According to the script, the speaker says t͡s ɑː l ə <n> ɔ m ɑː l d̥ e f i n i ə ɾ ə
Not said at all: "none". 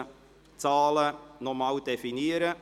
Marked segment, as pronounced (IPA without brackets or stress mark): n